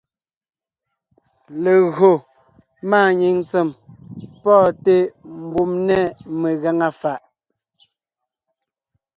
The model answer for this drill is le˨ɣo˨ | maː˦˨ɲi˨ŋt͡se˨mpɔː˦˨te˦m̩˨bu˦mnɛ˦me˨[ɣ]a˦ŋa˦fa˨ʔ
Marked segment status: correct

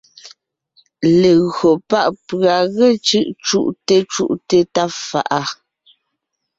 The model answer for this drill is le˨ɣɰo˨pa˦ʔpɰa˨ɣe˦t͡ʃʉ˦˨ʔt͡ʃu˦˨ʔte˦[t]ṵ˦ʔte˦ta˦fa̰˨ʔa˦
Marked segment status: incorrect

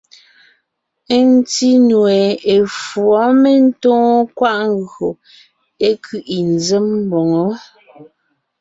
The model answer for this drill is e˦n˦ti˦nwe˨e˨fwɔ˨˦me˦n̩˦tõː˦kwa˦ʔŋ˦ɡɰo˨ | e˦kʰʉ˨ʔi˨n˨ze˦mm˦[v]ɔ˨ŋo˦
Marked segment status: incorrect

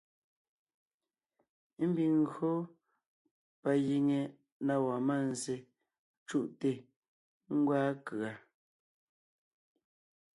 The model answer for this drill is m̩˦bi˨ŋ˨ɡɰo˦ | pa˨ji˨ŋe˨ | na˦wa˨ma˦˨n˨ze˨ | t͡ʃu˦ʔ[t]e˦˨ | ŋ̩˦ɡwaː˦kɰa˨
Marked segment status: correct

